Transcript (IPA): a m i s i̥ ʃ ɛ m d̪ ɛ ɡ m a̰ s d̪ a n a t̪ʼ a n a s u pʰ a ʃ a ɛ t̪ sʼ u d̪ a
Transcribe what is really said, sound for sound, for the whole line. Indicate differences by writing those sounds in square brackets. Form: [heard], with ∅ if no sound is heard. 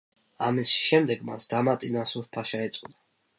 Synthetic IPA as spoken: a m i s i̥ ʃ ɛ m d̪ ɛ ɡ m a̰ s d̪ a [m] a t̪ʼ [i] n a s u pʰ a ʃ a ɛ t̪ sʼ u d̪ a